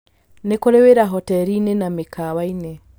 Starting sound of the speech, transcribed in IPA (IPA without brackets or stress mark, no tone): n